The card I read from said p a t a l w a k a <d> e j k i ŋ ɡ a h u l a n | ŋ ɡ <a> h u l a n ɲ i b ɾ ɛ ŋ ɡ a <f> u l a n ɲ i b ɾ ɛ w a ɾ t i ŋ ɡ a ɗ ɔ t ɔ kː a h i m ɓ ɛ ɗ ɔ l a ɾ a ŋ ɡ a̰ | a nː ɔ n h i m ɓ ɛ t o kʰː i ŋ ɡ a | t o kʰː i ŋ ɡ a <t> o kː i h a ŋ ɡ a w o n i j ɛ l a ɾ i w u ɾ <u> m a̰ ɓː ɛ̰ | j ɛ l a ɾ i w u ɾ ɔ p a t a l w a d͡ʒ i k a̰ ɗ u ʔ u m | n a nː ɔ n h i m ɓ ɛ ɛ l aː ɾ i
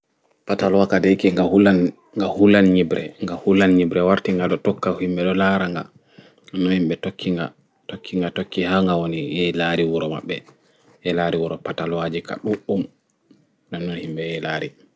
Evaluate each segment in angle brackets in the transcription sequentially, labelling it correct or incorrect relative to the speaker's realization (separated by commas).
correct, correct, incorrect, correct, incorrect